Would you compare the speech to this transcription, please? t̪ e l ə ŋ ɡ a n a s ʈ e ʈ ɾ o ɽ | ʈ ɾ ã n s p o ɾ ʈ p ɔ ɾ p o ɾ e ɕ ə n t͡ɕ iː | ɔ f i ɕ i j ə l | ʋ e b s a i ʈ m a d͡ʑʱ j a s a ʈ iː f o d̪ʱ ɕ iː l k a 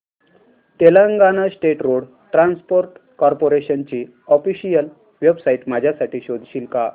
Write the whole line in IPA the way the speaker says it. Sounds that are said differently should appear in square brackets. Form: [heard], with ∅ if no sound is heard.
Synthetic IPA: t̪ e l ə ŋ ɡ a n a s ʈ e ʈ ɾ o ɽ | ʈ ɾ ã n s p o ɾ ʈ [k] ɔ ɾ p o ɾ e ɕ ə n t͡ɕ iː | ɔ f i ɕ i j ə l | ʋ e b s a i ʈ m a d͡ʑʱ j a s a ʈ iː [ɕ] o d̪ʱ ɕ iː l k a